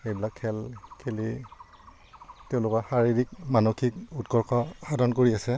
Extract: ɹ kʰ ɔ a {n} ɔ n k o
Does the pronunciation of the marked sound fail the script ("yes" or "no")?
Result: yes